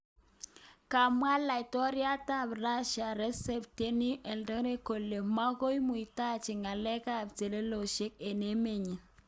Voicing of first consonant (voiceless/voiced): voiceless